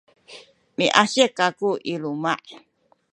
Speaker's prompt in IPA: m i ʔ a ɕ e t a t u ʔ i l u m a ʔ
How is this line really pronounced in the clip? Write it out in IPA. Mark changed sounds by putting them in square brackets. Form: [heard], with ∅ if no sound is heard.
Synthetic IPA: m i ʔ a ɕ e [k] a [k] u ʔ i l u m a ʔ